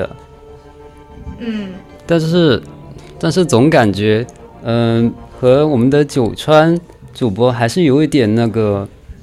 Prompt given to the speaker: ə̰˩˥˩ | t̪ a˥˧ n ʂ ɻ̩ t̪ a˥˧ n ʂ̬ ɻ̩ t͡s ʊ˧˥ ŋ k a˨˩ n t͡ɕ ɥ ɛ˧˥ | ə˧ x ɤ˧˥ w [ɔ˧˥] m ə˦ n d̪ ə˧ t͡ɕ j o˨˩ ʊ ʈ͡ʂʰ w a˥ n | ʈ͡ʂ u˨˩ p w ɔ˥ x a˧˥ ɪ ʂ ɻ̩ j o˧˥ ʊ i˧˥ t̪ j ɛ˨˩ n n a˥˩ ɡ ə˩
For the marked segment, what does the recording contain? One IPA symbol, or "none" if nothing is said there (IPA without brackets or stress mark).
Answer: ɔ˨˩